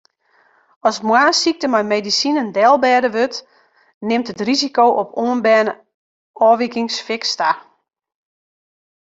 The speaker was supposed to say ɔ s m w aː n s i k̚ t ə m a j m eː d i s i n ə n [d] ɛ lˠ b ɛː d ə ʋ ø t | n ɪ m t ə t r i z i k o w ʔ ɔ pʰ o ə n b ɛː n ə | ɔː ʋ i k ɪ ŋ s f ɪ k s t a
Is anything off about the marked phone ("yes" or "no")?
no